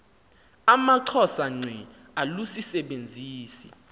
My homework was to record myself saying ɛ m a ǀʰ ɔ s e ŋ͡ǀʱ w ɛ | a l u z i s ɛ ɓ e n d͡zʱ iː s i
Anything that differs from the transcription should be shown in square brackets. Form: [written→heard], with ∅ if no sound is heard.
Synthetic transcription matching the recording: [ɛ→a] m a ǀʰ ɔ s [e→a] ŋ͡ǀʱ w ɛ | a l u [z→s] i s ɛ ɓ e n d͡zʱ iː s i